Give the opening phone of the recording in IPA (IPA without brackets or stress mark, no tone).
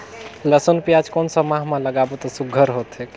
l